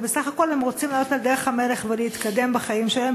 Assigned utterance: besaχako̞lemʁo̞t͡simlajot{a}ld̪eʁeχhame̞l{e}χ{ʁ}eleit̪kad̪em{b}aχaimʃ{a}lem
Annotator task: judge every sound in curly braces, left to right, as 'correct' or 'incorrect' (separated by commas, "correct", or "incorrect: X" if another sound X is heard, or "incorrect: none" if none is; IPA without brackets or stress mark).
correct, correct, incorrect: v, correct, incorrect: e